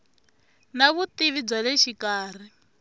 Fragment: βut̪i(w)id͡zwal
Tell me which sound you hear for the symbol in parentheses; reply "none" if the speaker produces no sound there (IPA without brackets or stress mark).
β